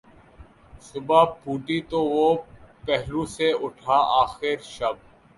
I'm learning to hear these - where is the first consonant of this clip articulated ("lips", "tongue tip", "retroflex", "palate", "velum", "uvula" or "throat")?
tongue tip